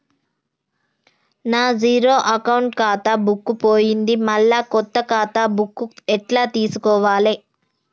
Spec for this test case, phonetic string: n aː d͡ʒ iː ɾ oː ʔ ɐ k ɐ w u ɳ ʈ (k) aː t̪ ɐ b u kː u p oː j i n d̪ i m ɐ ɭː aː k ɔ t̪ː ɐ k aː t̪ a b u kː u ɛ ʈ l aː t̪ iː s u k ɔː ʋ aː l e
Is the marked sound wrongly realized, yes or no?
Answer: no